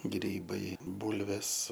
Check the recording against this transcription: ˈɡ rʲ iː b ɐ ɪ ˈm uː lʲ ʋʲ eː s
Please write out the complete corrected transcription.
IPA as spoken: ˈɡ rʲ iː b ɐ ɪ ˈb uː lʲ ʋʲ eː s